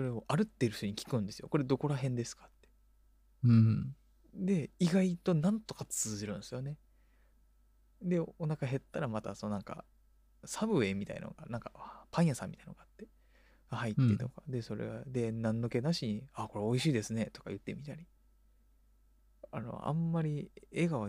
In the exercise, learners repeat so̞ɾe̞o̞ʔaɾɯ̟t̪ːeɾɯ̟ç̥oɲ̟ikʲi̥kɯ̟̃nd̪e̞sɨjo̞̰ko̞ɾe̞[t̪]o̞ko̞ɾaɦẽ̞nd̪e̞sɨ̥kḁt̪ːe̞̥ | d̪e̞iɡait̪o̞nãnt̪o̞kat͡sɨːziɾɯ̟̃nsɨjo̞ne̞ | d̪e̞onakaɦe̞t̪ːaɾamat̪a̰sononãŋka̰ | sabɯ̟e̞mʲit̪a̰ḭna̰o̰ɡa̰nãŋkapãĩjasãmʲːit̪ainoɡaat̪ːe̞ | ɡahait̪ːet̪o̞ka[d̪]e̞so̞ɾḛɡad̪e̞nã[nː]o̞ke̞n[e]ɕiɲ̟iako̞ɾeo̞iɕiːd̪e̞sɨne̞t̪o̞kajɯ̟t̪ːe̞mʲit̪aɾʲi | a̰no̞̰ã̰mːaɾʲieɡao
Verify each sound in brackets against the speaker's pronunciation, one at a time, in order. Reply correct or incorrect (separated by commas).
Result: incorrect, correct, correct, incorrect